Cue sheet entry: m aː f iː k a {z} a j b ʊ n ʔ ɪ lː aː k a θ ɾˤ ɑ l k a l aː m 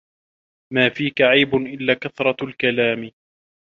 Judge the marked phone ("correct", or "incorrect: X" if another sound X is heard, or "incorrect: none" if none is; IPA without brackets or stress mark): incorrect: ʕ